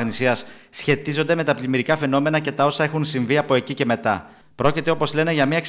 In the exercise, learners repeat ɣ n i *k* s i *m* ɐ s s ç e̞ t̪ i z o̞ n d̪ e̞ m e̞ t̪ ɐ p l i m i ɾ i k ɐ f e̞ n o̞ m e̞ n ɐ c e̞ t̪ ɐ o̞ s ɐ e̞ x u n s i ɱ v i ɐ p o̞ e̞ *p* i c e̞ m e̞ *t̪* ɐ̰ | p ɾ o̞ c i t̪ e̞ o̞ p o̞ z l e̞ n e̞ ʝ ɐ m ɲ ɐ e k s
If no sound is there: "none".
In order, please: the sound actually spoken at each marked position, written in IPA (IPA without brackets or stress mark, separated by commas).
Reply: none, none, c, t̪